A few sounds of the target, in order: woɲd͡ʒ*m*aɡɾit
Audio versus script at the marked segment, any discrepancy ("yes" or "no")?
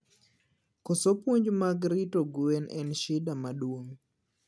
no